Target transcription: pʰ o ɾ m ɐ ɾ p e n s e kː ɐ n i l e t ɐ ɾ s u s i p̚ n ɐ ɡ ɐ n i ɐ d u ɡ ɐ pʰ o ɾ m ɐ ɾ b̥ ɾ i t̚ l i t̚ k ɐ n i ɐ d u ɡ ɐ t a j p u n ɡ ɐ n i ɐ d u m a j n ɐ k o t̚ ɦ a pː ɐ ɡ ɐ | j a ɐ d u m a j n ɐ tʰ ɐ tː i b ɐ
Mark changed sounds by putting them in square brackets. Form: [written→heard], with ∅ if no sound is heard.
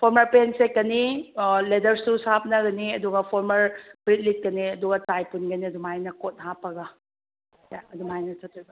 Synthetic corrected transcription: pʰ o ɾ m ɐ ɾ p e n s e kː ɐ n i l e [t→d] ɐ ɾ s u s [i→a] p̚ n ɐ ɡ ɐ n i ɐ d u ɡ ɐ pʰ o ɾ m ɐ ɾ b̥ ɾ i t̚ l i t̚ k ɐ n i ɐ d u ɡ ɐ t a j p u n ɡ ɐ n i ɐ d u m a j n ɐ k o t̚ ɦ a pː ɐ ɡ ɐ | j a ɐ d u m a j n ɐ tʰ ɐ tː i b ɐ